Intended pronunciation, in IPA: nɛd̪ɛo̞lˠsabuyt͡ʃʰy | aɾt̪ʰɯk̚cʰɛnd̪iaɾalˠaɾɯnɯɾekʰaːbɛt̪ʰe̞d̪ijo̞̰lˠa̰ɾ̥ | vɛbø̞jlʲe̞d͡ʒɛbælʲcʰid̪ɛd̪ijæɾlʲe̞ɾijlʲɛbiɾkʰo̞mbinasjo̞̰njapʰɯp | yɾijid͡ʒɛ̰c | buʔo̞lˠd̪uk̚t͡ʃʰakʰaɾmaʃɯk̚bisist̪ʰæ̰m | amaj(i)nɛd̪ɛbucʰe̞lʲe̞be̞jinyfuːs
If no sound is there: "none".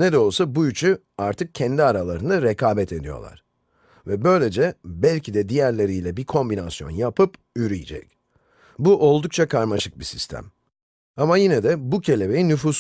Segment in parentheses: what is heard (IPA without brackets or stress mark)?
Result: i